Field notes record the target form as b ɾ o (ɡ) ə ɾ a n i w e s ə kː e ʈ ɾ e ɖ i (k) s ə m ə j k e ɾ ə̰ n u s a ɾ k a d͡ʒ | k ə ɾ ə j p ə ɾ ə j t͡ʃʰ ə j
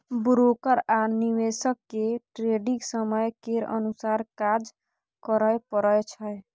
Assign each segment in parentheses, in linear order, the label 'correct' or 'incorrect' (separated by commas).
incorrect, correct